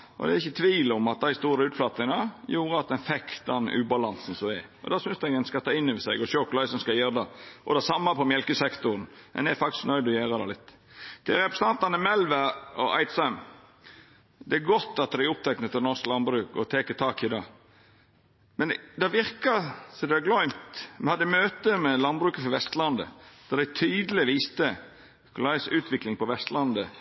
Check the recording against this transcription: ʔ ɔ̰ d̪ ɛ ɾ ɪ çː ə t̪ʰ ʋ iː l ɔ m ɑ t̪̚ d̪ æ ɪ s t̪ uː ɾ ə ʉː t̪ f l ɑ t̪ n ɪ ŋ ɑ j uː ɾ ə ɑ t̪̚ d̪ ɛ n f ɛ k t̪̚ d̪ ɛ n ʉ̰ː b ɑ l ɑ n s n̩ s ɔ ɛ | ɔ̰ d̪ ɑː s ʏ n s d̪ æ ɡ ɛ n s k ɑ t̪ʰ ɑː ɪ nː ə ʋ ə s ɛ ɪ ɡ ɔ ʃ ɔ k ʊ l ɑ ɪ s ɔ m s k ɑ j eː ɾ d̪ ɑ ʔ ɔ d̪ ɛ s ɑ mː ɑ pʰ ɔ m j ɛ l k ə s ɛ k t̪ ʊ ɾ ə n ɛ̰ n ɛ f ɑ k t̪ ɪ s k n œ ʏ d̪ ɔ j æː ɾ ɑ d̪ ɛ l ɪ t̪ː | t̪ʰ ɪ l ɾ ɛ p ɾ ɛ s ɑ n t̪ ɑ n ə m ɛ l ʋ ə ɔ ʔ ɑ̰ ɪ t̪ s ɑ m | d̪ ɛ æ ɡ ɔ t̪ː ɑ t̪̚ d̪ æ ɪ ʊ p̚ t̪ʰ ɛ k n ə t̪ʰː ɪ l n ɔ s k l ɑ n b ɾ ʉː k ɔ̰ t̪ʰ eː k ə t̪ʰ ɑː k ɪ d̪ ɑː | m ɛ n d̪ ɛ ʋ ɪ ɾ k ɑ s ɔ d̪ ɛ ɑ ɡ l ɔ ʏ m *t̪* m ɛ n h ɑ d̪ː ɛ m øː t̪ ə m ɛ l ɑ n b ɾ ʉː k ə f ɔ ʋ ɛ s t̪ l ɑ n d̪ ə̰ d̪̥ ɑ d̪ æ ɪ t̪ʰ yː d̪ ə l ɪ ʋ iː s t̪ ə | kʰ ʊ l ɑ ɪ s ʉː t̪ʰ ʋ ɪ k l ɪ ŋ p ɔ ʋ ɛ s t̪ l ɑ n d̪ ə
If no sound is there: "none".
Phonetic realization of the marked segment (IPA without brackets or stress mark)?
t̪